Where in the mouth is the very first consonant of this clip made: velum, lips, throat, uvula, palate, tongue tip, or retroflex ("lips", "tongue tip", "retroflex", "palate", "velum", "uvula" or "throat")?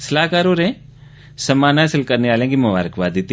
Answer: tongue tip